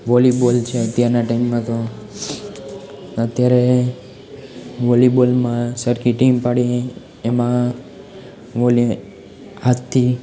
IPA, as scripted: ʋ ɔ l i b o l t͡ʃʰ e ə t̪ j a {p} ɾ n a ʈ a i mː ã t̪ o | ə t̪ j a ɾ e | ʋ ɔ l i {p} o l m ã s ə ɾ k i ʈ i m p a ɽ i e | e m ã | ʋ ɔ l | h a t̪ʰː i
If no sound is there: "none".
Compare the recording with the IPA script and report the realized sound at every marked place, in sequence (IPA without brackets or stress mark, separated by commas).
none, b